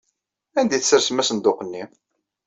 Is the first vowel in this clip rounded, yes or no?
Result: no